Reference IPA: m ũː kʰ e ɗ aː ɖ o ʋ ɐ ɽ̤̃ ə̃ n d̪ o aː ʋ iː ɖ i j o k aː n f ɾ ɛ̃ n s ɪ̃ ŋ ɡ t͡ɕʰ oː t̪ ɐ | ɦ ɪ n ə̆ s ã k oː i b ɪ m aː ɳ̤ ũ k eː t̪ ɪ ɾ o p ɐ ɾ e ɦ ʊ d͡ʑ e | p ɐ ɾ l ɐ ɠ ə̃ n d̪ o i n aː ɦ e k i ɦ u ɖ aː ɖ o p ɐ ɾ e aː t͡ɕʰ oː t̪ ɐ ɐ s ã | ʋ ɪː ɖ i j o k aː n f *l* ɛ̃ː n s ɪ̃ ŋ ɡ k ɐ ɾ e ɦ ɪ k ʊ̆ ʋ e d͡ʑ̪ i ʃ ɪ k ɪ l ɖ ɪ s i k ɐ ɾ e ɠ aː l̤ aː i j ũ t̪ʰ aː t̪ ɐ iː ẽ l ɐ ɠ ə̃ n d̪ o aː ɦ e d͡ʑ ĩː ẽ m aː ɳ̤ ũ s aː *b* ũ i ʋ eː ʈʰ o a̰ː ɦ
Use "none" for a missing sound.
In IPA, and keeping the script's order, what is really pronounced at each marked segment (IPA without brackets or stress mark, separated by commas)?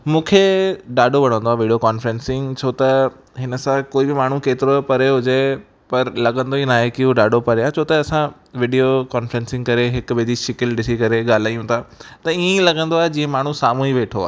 ɾ, m